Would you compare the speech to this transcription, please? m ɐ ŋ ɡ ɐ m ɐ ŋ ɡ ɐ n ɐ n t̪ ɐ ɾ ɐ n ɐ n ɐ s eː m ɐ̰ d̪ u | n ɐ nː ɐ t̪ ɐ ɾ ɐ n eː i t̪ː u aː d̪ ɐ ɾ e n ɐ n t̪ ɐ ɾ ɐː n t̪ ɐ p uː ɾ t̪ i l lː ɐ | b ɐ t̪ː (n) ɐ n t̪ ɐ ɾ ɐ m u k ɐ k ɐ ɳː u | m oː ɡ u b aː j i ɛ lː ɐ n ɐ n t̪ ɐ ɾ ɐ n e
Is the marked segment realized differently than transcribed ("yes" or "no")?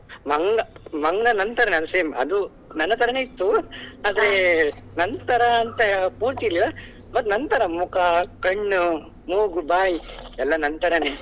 no